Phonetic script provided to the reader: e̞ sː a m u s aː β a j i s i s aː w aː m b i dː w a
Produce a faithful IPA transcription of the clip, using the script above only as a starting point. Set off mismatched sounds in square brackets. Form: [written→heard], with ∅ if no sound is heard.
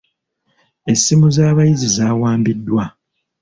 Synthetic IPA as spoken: e̞ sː [a→i] m u [s→z] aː β a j i [s→z] i [s→z] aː w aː m b i dː w a